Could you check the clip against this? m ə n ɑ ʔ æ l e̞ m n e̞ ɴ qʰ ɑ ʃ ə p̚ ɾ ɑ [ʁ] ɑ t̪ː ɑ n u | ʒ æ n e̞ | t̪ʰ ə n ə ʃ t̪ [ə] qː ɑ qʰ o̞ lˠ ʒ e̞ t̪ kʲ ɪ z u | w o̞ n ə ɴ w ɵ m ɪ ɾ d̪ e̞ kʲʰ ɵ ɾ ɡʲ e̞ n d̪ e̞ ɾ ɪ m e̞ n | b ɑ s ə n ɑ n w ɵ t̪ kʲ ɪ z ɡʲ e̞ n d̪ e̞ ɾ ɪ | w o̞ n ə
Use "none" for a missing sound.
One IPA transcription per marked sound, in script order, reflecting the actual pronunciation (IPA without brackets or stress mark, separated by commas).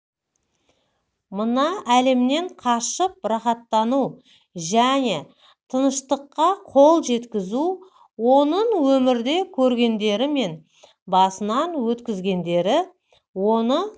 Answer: χ, ə